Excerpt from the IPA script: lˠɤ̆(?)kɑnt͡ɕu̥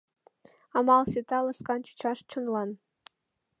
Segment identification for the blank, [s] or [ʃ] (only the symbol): s